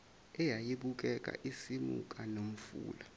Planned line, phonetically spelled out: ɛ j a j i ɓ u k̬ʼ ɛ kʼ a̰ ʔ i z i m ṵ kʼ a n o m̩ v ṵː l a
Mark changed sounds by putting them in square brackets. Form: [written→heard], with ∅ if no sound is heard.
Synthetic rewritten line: ɛ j a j i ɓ u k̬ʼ ɛ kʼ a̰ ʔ i [z→s] i m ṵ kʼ a n o m̩ [v→f] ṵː l a